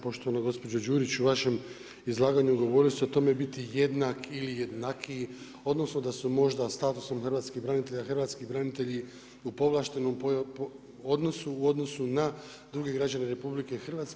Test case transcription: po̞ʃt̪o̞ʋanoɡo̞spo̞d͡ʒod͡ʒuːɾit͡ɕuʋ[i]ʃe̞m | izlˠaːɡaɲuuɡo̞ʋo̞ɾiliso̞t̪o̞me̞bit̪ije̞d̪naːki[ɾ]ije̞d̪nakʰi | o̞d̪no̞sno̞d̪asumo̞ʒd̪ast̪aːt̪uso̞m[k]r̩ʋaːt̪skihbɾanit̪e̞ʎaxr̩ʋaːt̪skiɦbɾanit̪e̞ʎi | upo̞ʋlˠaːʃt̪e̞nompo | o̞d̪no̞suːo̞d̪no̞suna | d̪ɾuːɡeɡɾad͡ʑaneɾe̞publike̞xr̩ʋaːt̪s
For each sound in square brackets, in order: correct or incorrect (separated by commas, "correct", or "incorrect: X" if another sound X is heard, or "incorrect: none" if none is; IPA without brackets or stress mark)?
incorrect: a, incorrect: l, incorrect: x